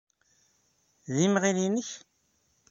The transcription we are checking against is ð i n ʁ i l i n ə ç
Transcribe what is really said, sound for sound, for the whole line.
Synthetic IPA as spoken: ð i m ʁ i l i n ə ç